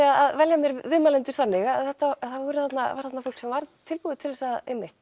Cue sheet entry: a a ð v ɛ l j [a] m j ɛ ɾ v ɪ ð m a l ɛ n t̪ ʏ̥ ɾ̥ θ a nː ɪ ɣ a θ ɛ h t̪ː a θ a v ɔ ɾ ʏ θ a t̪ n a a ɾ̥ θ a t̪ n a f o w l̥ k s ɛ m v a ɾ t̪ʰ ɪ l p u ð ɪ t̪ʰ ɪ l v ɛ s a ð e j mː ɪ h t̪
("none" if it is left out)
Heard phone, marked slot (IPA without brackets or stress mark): a